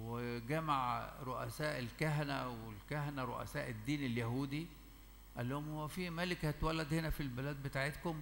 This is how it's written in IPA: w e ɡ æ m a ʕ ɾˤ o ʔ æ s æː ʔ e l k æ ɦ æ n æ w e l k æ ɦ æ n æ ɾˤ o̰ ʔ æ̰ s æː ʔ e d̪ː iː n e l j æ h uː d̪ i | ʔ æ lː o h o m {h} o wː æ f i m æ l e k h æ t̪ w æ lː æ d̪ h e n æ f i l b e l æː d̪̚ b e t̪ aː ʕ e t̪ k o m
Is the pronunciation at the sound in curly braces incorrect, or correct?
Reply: correct